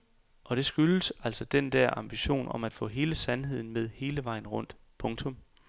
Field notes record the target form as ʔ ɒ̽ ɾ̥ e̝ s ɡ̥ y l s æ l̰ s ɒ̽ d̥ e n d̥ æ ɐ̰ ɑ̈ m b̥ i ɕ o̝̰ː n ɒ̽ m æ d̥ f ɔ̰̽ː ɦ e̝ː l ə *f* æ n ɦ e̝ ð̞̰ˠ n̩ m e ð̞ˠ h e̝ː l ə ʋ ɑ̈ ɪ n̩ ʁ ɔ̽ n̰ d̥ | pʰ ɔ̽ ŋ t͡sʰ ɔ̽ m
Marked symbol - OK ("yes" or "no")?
no